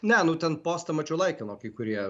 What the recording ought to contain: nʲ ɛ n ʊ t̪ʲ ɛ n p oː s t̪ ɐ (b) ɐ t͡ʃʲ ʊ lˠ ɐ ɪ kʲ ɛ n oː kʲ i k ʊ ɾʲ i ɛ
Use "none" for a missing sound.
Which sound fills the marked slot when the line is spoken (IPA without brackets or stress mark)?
m